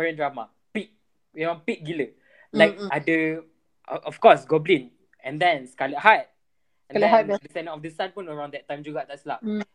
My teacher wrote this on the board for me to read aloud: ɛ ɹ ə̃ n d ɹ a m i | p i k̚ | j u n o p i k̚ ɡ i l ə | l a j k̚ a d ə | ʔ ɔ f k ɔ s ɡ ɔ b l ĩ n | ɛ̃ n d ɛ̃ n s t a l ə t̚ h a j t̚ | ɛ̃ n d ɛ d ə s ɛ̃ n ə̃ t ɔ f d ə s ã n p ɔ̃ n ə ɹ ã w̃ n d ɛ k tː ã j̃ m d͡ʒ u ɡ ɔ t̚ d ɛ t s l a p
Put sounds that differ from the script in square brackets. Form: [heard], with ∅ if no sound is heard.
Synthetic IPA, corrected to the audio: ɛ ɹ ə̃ n d ɹ a m [a] | p i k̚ | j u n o p i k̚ ɡ i l ə | l a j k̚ a d ə | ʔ ɔ f k ɔ s ɡ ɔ b l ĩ n | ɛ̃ n d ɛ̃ n s [k] a l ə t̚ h a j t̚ | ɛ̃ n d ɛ d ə s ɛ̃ n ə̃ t ɔ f d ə s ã n p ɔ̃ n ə ɹ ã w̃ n d ɛ [t] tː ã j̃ m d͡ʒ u ɡ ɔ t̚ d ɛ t s l a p